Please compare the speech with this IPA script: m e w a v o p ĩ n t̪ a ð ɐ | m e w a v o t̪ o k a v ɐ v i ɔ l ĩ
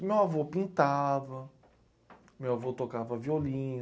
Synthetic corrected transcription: m e w a v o p ĩ n t̪ a v ɐ | m e w a v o t̪ o k a v ɐ v i o l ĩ